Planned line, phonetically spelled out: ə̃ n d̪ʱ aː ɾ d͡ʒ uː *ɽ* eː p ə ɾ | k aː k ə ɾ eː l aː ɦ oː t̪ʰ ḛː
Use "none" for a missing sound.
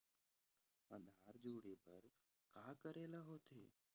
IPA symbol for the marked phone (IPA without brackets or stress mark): ɽ